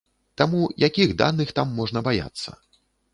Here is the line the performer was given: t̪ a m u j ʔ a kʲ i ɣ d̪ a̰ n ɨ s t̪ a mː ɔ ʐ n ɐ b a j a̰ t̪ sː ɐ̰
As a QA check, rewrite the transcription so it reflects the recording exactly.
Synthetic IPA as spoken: t̪ a m u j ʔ a kʲ i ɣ d̪ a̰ n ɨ x t̪ a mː ɔ ʐ n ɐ b a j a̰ t̪ sː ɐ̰

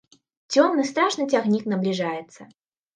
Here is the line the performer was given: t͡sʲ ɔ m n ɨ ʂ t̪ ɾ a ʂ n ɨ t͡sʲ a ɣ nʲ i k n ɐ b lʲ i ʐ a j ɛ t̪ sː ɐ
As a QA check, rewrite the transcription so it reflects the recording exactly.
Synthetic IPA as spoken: t͡sʲ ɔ m n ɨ s t̪ ɾ a ʂ n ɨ t͡sʲ a ɣ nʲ i k n ɐ b lʲ i ʐ a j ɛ t̪ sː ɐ

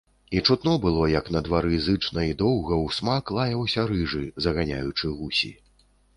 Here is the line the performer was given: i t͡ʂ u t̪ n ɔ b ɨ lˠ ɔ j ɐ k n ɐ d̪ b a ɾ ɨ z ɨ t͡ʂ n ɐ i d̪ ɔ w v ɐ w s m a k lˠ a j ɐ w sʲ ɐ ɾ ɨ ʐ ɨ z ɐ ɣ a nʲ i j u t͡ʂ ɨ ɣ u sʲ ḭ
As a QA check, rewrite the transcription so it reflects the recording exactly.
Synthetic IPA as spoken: i t͡ʂ u t̪ n ɔ b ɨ lˠ ɔ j ɐ k n ɐ d̪ v a ɾ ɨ z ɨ t͡ʂ n ɐ i d̪ ɔ w ɣ ɐ w s m a k lˠ a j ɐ w sʲ ɐ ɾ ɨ ʐ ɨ z ɐ ɣ a nʲ a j u t͡ʂ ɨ ɣ u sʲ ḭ

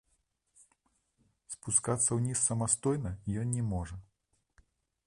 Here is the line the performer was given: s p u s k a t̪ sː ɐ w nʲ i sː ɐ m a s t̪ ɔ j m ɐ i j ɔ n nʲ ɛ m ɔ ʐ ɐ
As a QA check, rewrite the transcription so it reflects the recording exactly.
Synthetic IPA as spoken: s p u s k a t̪ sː ɐ w nʲ i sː ɐ m a s t̪ ɔ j n ɐ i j ɔ n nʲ ɛ m ɔ ʐ ɐ

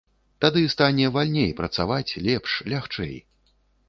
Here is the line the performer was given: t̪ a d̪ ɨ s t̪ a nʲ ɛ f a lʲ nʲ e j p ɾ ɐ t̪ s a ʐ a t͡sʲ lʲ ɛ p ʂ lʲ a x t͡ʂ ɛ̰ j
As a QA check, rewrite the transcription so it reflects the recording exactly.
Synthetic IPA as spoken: t̪ a d̪ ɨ s t̪ a nʲ ɛ v a lʲ nʲ e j p ɾ ɐ t̪ s a v a t͡sʲ lʲ ɛ p ʂ lʲ a x t͡ʂ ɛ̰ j

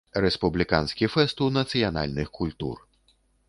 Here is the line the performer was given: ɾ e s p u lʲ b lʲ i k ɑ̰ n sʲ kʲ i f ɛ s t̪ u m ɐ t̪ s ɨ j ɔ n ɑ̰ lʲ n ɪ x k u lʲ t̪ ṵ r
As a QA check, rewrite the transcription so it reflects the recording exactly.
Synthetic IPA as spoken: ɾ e s p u b lʲ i k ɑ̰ n sʲ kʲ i f ɛ s t̪ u n ɐ t̪ s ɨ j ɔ n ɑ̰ lʲ n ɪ x k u lʲ t̪ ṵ r

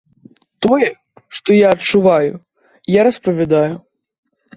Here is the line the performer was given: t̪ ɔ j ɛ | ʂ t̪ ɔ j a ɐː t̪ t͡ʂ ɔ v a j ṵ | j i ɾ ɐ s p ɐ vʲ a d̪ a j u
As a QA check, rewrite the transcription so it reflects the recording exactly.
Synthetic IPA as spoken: t̪ ɔ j ɛ | ʂ t̪ ɔ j a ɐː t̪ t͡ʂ u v a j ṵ | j a ɾ ɐ s p ɐ vʲ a d̪ a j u

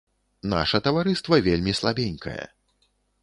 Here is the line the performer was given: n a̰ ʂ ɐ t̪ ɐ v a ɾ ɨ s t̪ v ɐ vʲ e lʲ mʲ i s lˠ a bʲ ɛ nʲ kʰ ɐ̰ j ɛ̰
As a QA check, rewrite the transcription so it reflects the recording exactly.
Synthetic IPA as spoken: n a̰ ʂ ɐ t̪ ɐ v a ɾ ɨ s t̪ v ɐ vʲ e lʲ mʲ i s lˠ a bʲ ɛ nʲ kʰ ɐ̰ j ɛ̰

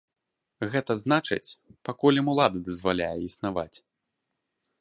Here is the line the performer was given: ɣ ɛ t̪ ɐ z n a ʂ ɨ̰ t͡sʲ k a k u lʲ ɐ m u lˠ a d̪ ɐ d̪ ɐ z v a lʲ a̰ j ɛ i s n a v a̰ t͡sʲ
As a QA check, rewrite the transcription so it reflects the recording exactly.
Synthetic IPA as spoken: ɣ ɛ t̪ ɐ z n a t͡ʂ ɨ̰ t͡sʲ p a k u lʲ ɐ m u lˠ a d̪ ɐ d̪ ɐ z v a lʲ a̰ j ɛ i s n a v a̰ t͡sʲ

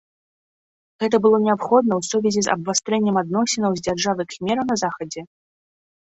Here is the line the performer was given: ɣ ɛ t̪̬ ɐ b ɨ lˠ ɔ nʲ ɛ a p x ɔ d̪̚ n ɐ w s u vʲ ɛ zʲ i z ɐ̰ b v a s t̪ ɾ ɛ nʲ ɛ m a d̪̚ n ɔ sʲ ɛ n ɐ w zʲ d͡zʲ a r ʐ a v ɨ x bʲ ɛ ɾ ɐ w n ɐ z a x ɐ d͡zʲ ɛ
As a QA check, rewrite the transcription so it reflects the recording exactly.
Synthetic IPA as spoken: ɣ ɛ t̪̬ ɐ b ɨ lˠ ɔ nʲ ɛ a p x ɔ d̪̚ n ɐ w s u vʲ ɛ zʲ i z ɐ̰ b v a s t̪ ɾ ɛ nʲː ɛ m a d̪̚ n ɔ sʲ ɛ n ɐ w zʲ d͡zʲ a r ʐ a v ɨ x mʲ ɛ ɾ ɐ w n ɐ z a x ɐ d͡zʲ ɛ

